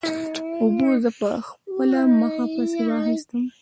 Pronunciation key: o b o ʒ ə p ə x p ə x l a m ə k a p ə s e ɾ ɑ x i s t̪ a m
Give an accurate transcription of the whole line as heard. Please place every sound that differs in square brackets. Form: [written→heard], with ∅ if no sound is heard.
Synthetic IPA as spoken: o b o [ʒ→z] ə p ə x p ə [x→∅] l a m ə [k→x] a p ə s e ɾ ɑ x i s t̪ [a→ə] m